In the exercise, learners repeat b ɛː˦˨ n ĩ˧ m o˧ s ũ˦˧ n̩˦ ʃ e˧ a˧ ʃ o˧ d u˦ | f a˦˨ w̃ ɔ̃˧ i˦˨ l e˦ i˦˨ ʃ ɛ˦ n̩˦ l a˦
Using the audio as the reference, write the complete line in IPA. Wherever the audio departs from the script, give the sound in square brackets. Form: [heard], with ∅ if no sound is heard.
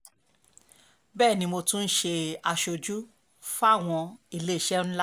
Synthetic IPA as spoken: b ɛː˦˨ n ĩ˧ m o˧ [t] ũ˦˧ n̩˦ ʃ e˧ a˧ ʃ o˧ [d͡ʒ] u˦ | f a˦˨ w̃ ɔ̃˧ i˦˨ l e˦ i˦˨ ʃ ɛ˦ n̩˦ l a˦